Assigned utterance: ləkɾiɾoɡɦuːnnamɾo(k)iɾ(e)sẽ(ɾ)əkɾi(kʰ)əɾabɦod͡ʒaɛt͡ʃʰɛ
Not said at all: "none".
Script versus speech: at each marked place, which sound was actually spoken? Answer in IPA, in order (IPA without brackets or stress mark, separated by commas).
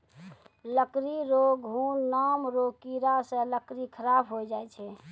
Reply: k, a, l, kʰ